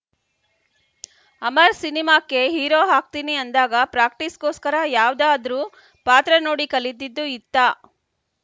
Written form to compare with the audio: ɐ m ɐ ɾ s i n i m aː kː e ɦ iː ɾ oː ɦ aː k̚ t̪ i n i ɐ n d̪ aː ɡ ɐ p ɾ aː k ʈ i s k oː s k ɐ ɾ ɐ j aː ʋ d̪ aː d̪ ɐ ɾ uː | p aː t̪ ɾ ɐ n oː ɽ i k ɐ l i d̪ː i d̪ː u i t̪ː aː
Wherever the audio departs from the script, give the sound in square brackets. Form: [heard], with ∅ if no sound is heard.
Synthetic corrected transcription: ɐ m ɐ ɾ s i n i m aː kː e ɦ iː ɾ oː ɦ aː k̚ t̪ i n i ɐ n d̪ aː ɡ ɐ p ɾ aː k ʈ i s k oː s k ɐ ɾ ɐ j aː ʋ d̪ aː d̪ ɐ ɾ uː | p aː t̪ ɾ ɐ n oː ɽ i k ɐ l i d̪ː i d̪ː u i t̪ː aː

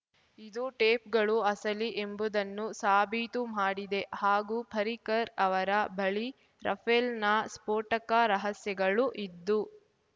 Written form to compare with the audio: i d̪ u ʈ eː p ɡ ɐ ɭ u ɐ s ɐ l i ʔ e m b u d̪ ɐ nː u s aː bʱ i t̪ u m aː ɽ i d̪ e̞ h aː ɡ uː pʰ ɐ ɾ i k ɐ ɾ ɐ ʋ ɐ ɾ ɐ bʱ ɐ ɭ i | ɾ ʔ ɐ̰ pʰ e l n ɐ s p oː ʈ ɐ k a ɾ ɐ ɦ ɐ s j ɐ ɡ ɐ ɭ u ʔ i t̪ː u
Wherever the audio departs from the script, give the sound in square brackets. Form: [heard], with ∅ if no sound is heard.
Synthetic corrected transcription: i d̪ u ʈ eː p ɡ ɐ ɭ u ɐ s ɐ l i ʔ e m b u d̪ ɐ nː u s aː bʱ i t̪ u m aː ɽ i d̪ e̞ h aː ɡ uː pʰ ɐ ɾ i k ɐ ɾ ɐ ʋ ɐ ɾ ɐ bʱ ɐ ɭ i | ɾ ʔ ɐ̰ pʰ e l n ɐ s p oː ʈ ɐ k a ɾ ɐ ɦ ɐ s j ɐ ɡ ɐ ɭ u ʔ i [d̪ː] u

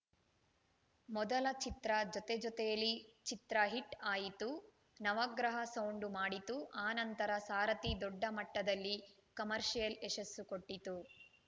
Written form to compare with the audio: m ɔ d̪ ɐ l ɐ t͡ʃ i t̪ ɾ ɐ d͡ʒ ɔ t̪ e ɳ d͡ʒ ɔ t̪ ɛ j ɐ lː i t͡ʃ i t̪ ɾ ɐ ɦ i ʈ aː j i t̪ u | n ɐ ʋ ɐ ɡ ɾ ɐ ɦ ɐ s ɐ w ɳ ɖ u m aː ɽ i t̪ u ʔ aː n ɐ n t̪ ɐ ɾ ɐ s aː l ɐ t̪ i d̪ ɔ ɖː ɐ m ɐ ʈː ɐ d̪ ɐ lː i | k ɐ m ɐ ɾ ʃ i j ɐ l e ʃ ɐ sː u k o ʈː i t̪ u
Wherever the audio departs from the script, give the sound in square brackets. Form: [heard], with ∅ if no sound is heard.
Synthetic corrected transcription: m ɔ d̪ ɐ l ɐ t͡ʃ i t̪ ɾ ɐ d͡ʒ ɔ t̪ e [∅] d͡ʒ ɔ t̪ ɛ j ɐ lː i t͡ʃ i t̪ ɾ ɐ ɦ i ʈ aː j i t̪ u | n ɐ ʋ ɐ ɡ ɾ ɐ ɦ ɐ s ɐ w ɳ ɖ u m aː ɽ i t̪ u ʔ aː n ɐ n t̪ ɐ ɾ ɐ s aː [ɾ] ɐ t̪ i d̪ ɔ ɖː ɐ m ɐ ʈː ɐ d̪ ɐ lː i | k ɐ m ɐ ɾ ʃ i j ɐ l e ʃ ɐ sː u k o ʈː i t̪ u

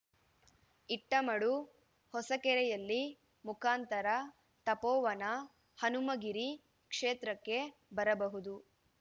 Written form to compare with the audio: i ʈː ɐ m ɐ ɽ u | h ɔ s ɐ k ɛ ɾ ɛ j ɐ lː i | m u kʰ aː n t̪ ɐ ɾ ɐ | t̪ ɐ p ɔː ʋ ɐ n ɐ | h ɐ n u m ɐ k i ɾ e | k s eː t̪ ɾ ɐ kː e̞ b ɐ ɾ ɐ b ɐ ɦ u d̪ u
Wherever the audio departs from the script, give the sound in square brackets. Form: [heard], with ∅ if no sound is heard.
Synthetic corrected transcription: i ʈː ɐ m ɐ ɽ u | h ɔ s ɐ k ɛ ɾ ɛ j ɐ lː i | m u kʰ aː n t̪ ɐ ɾ ɐ | t̪ ɐ p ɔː ʋ ɐ n ɐ | h ɐ n u m ɐ [ɡ] i ɾ [i] | k [ʂ] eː t̪ ɾ ɐ kː e̞ b ɐ ɾ ɐ b ɐ ɦ u d̪ u

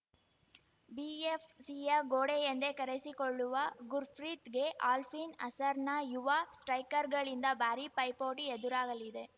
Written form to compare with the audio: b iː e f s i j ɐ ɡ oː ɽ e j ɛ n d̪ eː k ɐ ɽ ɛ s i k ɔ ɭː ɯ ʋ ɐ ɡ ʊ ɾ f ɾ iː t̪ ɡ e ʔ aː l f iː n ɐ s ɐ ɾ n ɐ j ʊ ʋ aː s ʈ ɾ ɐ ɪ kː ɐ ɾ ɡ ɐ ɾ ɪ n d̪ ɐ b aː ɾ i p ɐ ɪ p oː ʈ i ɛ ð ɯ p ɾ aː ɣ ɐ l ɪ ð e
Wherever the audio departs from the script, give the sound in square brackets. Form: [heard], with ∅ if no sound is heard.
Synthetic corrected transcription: b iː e f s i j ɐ ɡ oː ɽ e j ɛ n d̪ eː k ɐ [ɾ] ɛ s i k ɔ ɭː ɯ ʋ ɐ ɡ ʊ ɾ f ɾ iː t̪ ɡ e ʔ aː l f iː n ɐ s ɐ ɾ n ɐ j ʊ ʋ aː s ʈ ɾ ɐ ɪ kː ɐ ɾ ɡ ɐ [ɭ] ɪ n d̪ ɐ b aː ɾ i p ɐ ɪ p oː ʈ i ɛ ð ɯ [∅] ɾ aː ɣ ɐ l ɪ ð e

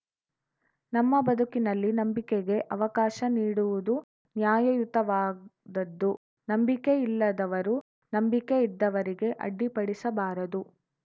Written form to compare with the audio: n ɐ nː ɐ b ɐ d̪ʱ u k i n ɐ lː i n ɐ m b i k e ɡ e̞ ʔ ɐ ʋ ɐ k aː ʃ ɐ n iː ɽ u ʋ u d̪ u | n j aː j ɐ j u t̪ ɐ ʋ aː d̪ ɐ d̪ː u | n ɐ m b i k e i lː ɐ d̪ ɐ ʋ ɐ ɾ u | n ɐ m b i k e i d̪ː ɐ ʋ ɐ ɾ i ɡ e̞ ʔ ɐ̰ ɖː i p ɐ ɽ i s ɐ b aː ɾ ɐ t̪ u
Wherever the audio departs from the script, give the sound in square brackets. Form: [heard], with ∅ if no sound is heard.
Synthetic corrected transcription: n ɐ [mː] ɐ b ɐ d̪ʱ u k i n ɐ lː i n ɐ m b i k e ɡ e̞ ʔ ɐ ʋ ɐ k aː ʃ ɐ n iː ɽ u ʋ u d̪ u | n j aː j ɐ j u t̪ ɐ ʋ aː d̪ ɐ d̪ː u | n ɐ m b i k e i lː ɐ d̪ ɐ ʋ ɐ ɾ u | n ɐ m b i k e i d̪ː ɐ ʋ ɐ ɾ i ɡ e̞ ʔ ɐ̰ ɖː i p ɐ ɽ i s ɐ b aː ɾ ɐ [d̪] u

